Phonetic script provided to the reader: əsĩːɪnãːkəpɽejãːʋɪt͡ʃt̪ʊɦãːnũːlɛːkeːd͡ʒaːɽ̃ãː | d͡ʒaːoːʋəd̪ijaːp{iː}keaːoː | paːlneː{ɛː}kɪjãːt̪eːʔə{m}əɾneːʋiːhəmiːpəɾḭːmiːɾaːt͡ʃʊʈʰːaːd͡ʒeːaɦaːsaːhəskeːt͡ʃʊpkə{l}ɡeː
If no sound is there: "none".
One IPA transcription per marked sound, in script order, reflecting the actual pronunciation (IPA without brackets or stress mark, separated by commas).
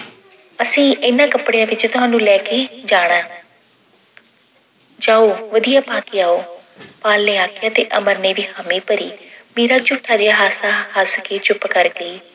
aː, aː, m, ɾ